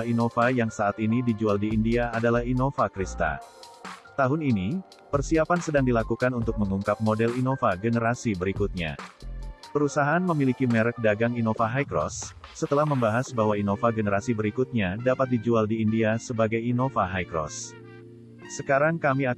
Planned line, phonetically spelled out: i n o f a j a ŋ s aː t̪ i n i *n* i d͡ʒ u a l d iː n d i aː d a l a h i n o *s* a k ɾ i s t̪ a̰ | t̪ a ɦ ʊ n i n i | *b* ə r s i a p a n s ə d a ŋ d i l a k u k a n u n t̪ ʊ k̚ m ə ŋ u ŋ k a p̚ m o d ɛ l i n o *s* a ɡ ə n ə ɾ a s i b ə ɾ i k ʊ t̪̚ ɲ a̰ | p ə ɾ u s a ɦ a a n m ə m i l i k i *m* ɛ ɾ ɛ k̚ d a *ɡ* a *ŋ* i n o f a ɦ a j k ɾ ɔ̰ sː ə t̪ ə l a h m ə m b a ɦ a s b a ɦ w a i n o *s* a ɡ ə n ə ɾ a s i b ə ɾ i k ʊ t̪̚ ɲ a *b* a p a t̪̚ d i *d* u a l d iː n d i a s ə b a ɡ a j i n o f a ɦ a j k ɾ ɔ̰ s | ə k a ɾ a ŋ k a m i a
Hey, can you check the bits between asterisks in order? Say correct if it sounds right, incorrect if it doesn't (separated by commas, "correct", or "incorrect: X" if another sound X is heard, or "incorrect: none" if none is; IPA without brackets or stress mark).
incorrect: d, incorrect: f, incorrect: p, incorrect: f, correct, correct, correct, incorrect: f, incorrect: d, incorrect: d͡ʒ